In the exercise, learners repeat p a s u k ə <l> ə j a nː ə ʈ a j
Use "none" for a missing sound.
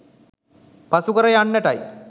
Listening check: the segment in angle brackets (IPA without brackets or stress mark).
ɾ